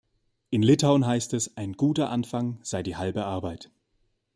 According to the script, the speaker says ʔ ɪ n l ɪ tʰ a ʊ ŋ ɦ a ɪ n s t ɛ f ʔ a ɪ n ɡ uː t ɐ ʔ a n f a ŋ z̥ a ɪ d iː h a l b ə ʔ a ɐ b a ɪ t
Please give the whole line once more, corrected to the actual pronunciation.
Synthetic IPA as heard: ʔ ɪ n l ɪ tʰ a ʊ n ɦ a ɪ s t ɛ s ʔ a ɪ n ɡ uː t ɐ ʔ a n f a ŋ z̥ a ɪ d iː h a l b ə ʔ a ɐ b a ɪ t